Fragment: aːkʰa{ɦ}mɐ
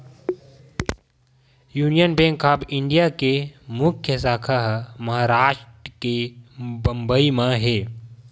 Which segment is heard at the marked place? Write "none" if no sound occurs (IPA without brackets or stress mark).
ɦ